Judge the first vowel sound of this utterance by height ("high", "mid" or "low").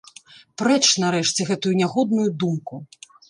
mid